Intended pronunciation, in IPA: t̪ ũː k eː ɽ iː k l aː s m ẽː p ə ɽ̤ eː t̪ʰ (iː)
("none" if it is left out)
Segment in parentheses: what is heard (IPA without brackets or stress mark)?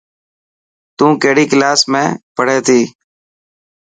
iː